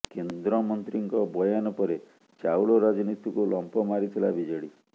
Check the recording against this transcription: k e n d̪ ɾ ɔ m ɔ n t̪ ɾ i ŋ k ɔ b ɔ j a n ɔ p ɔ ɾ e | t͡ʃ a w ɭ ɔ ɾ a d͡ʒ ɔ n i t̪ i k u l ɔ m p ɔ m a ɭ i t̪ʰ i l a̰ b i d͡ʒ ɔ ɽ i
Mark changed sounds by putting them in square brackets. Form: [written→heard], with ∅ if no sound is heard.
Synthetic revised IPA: k e n d̪ ɾ ɔ m ɔ n t̪ ɾ i ŋ k ɔ b ɔ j a n ɔ p ɔ ɾ e | t͡ʃ a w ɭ ɔ ɾ a d͡ʒ ɔ n i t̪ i k u l ɔ m p ɔ m a [ɭ→ɾ] i t̪ʰ i l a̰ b i d͡ʒ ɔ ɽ i

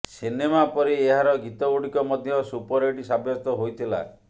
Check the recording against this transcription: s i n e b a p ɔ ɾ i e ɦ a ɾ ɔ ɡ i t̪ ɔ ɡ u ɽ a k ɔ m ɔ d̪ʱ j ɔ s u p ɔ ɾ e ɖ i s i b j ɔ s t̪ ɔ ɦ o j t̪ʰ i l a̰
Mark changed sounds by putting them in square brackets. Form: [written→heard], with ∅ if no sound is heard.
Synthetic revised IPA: s i n e [b→m] a p ɔ ɾ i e ɦ a ɾ ɔ ɡ i t̪ ɔ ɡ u ɽ [a→i] k ɔ m ɔ d̪ʱ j ɔ s u p ɔ ɾ e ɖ i s [i→a] b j ɔ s t̪ ɔ ɦ o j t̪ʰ i l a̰

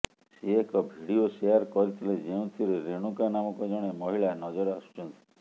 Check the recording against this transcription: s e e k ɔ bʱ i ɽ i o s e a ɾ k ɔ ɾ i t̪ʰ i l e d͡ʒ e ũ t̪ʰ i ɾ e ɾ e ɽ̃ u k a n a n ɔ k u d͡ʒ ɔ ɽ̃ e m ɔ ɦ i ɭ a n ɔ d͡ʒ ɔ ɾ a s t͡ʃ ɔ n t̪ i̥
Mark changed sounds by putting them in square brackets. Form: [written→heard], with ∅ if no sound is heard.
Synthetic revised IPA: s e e k ɔ bʱ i ɽ i o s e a ɾ k ɔ ɾ i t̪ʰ i l e d͡ʒ e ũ t̪ʰ i ɾ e ɾ e ɽ̃ u k a n a [n→m] ɔ k [u→ɔ] d͡ʒ ɔ ɽ̃ e m ɔ ɦ i ɭ a n ɔ d͡ʒ ɔ ɾ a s t͡ʃ ɔ n t̪ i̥

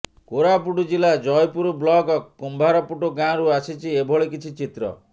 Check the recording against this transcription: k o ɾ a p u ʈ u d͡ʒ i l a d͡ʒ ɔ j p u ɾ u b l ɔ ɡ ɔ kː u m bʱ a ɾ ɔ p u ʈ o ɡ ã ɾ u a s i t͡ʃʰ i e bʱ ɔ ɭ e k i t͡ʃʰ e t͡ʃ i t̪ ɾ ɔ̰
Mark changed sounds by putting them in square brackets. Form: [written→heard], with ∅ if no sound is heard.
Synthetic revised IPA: k o ɾ a p u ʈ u d͡ʒ i l a d͡ʒ ɔ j p u ɾ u b l ɔ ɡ ɔ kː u m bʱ a ɾ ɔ p u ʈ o ɡ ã ɾ u a s i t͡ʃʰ i e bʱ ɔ ɭ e k i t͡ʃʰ [e→i] t͡ʃ i t̪ ɾ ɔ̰

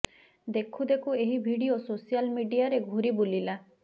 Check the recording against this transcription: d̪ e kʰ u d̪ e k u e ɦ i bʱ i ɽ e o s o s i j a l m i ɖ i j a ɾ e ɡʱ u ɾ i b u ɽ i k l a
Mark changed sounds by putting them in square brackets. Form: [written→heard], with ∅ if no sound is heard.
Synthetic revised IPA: d̪ e kʰ u d̪ e k u e ɦ i bʱ i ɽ [e→i] o s o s i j a l m i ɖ i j a ɾ e ɡʱ u ɾ i b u [ɽ→l] i [k→∅] l a

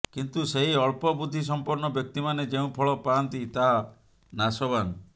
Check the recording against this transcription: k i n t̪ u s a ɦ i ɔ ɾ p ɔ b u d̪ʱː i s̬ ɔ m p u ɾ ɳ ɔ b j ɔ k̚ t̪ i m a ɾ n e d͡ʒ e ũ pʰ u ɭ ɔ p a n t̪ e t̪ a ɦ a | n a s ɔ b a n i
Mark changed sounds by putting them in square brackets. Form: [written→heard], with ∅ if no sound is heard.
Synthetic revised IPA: k i n t̪ u s [a→e] ɦ i ɔ [ɾ→ɭ] p ɔ b u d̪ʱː i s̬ ɔ m p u ɾ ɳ ɔ b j ɔ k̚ t̪ i m a [ɾ→∅] n e d͡ʒ e ũ pʰ [u→ɔ] ɭ ɔ p a n t̪ [e→i] t̪ a ɦ a | n a s ɔ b a n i

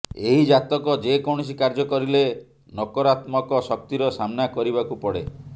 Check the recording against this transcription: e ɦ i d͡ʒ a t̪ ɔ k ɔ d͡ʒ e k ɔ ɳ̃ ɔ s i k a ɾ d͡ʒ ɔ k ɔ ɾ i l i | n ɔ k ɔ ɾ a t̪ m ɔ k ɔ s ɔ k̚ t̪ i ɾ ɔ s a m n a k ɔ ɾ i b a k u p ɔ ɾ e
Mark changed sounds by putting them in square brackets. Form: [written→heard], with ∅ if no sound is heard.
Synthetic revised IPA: e ɦ i d͡ʒ a t̪ ɔ k ɔ d͡ʒ e k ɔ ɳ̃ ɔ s i k a ɾ d͡ʒ ɔ k ɔ ɾ i l [i→e] | n ɔ k ɔ ɾ a t̪ m ɔ k ɔ s ɔ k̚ t̪ i ɾ ɔ s a m n a k ɔ ɾ i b a k u p ɔ [ɾ→ɽ] e

